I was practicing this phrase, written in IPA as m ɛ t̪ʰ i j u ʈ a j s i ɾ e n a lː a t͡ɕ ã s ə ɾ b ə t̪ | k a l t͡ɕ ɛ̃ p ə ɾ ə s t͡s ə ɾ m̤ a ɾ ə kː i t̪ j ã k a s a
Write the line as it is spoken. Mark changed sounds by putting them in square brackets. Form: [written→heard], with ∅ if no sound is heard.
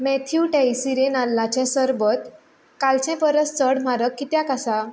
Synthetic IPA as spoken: m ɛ t̪ʰ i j u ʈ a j s i ɾ e n a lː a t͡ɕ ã s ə ɾ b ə t̪ | k a l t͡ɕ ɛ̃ p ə ɾ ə s t͡s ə [ɾ→ɽ] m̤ a ɾ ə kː i t̪ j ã k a s a